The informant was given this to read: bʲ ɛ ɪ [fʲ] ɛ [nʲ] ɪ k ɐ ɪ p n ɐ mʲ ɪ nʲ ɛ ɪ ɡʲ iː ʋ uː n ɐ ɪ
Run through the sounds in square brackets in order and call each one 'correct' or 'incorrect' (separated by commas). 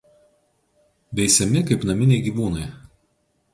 incorrect, incorrect